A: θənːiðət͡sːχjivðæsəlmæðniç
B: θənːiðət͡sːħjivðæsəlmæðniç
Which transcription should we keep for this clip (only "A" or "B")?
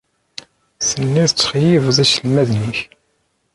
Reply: A